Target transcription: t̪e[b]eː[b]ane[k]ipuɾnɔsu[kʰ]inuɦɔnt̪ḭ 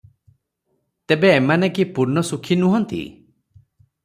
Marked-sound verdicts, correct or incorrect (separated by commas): correct, incorrect, correct, correct